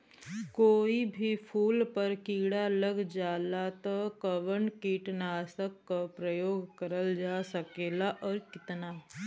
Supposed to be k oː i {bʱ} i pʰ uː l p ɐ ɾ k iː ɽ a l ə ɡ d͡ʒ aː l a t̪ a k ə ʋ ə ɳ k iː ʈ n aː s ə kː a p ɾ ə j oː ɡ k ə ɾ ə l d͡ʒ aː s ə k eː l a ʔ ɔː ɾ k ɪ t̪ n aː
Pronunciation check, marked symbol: correct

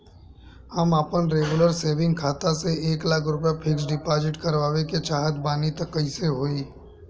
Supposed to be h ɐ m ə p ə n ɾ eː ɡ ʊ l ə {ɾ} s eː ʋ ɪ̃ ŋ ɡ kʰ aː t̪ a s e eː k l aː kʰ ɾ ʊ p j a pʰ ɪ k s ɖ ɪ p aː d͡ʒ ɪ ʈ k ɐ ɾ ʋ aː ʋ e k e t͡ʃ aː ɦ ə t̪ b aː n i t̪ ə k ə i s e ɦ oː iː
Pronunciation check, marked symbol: correct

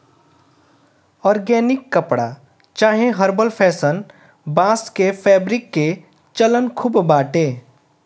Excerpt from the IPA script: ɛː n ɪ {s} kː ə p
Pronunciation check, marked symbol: incorrect: none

